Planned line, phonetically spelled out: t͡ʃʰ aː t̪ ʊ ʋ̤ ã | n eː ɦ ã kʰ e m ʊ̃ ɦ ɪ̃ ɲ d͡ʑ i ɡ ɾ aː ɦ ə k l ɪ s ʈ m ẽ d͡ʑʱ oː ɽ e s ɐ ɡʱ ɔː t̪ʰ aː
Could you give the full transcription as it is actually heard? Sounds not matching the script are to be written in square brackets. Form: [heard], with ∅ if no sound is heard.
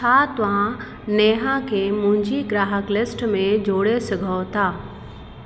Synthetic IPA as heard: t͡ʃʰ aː t̪ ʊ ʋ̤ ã | n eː ɦ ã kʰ e m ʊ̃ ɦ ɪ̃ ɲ d͡ʑ i ɡ ɾ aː ɦ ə k l ɪ s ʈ m ẽ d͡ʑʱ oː ɽ e s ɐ ɡʱ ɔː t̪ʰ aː